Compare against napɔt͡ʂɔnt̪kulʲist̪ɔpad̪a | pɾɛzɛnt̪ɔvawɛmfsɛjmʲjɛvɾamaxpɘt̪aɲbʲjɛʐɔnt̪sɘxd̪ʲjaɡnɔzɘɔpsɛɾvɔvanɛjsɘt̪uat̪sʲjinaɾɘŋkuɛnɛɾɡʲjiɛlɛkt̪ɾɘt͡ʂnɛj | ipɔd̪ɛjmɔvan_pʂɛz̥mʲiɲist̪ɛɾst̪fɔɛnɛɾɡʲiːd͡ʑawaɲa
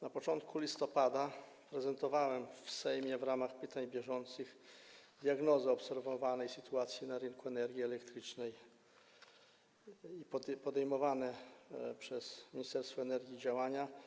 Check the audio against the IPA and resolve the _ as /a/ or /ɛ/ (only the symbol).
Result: ɛ